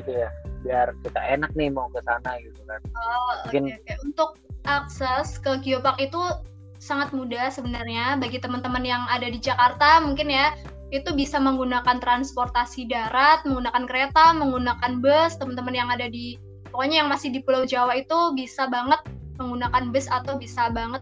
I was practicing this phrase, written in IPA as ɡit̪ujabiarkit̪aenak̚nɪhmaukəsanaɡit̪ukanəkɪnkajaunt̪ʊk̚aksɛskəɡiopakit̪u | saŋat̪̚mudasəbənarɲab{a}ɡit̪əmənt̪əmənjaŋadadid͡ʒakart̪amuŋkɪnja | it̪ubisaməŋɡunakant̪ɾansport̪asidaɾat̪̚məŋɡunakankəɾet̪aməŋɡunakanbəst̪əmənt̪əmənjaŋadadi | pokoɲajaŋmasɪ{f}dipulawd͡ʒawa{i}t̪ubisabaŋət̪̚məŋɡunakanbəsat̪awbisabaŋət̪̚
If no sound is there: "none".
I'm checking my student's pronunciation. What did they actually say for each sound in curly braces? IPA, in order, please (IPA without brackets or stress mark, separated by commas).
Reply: a, h, i